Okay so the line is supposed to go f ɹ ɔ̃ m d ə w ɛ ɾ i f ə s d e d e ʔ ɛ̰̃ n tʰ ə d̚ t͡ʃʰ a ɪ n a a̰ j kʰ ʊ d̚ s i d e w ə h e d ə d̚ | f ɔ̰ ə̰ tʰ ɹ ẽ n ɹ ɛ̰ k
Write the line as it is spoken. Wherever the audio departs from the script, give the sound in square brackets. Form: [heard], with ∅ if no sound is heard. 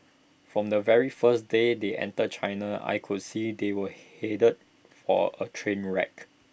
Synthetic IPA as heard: f ɹ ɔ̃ m d ə [v] ɛ [ɹ] i f ə s d e d e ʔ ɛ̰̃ n [t] ə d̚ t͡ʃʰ a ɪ n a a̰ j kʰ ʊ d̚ s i d e w ə h e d ə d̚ | f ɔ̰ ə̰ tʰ ɹ ẽ n ɹ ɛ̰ k